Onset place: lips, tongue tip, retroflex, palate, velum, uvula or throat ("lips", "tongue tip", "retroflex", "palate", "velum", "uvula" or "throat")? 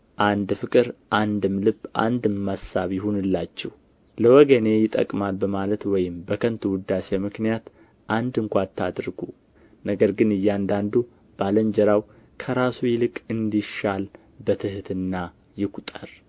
throat